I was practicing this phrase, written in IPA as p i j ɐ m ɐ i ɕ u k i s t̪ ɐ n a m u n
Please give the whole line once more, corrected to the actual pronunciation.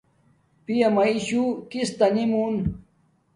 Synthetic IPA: p i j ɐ m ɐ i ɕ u k i s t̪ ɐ n i m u n